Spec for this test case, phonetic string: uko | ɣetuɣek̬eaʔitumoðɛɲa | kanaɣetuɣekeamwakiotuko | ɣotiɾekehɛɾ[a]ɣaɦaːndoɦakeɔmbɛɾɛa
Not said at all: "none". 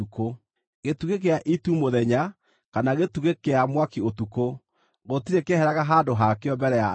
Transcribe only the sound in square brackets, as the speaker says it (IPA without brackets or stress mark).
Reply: a